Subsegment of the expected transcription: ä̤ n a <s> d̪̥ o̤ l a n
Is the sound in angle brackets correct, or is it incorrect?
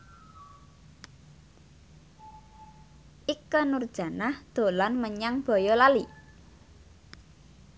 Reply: incorrect: h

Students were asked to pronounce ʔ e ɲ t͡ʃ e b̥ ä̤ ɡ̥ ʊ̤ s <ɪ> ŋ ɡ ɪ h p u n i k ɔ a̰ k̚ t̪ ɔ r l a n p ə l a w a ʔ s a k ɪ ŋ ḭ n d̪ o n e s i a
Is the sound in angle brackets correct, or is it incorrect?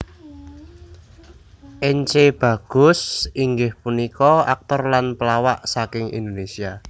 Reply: incorrect: i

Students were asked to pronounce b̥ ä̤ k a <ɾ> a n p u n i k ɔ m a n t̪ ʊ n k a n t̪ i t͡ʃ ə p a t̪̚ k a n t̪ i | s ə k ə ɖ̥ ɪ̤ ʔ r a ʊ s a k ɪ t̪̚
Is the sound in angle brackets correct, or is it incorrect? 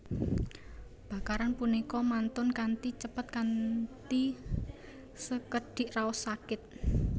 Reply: correct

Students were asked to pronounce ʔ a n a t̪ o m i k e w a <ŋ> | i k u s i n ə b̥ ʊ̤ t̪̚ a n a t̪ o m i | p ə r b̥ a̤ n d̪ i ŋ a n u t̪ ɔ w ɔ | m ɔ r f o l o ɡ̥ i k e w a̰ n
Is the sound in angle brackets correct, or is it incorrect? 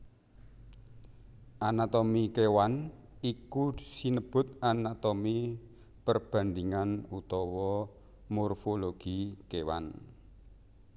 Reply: incorrect: n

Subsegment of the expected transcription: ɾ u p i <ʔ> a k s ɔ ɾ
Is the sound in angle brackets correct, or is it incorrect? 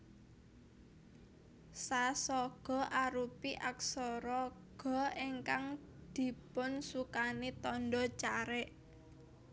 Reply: correct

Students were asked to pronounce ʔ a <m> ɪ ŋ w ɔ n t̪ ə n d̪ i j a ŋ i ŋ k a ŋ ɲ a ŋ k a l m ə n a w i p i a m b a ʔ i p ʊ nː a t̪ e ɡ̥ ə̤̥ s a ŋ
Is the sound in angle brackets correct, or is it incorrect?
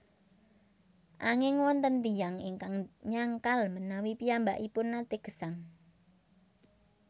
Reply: incorrect: ŋ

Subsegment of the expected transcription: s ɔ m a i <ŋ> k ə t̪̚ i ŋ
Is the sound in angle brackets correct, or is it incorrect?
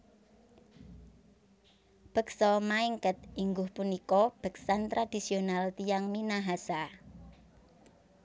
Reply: correct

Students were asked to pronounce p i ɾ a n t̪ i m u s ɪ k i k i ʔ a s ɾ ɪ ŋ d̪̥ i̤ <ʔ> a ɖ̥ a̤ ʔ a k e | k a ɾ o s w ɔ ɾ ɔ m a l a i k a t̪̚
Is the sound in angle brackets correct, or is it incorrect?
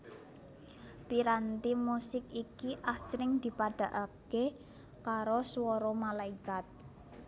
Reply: incorrect: p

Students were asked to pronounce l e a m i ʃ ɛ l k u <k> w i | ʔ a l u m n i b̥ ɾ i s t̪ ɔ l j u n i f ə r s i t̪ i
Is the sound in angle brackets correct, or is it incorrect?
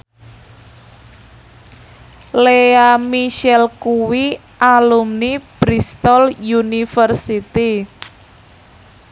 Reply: incorrect: none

